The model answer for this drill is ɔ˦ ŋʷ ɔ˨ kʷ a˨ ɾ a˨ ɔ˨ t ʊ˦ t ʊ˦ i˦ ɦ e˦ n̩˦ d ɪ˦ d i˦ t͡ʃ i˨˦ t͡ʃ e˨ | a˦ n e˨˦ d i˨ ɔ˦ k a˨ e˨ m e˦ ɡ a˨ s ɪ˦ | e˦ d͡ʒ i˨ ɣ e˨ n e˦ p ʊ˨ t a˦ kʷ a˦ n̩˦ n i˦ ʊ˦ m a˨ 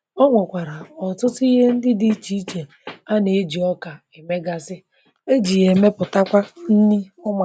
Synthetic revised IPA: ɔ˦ ŋʷ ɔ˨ kʷ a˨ ɾ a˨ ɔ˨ t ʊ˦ t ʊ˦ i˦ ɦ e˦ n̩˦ d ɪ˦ d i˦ t͡ʃ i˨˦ t͡ʃ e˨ | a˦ n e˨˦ d͡ʒ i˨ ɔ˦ k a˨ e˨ m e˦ ɡ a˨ s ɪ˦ | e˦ d͡ʒ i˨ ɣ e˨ m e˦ p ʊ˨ t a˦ kʷ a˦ n̩˦ n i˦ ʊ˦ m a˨

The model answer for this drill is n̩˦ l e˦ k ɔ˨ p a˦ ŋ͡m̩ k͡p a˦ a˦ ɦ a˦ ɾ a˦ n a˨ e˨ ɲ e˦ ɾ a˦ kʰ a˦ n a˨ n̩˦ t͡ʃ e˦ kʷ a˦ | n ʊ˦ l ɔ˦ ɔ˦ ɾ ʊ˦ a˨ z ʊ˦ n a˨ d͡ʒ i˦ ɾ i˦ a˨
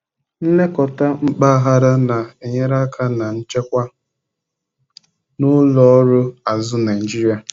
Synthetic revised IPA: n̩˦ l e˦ k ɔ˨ t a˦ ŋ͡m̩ k͡p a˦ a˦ ɦ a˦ ɾ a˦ n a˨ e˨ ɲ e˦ ɾ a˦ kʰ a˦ n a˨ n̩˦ t͡ʃ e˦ kʷ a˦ | n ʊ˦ l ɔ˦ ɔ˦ ɾ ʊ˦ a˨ z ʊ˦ n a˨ d͡ʒ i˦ ɾ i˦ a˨

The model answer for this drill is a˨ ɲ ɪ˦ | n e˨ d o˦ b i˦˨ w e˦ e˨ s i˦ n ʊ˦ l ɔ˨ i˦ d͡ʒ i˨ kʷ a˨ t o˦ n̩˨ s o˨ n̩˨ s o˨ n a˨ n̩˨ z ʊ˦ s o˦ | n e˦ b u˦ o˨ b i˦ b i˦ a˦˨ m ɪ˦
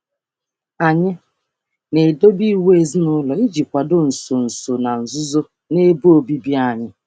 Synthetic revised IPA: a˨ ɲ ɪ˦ | n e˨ d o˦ b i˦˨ w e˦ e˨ z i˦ n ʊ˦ l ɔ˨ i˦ d͡ʒ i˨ kʷ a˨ d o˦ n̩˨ s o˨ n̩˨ s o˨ n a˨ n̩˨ z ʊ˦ z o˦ | n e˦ b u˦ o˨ b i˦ b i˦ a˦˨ ɲ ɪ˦

